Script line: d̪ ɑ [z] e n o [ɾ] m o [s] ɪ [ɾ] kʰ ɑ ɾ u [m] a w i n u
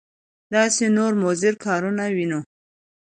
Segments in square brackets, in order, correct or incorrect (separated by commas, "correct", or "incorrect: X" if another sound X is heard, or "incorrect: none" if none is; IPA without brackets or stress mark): incorrect: s, correct, incorrect: z, correct, incorrect: n